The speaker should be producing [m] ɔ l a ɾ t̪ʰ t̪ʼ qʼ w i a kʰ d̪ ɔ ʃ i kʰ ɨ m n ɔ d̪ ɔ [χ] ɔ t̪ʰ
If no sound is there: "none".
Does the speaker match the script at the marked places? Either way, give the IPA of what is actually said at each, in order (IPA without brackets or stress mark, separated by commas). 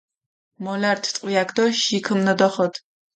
m, χ